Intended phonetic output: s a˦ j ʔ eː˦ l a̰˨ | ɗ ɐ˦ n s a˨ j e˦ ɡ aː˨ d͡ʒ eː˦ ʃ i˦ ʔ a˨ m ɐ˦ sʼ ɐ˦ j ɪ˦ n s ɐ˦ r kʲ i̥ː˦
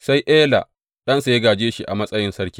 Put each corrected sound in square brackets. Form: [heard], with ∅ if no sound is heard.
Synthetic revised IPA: s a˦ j ʔ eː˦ l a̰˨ | ɗ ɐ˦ n s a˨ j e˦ ɡ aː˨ d͡ʒ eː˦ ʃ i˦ ʔ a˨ m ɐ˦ sʼ ɐ˦ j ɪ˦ n s ɐ˦ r kʲ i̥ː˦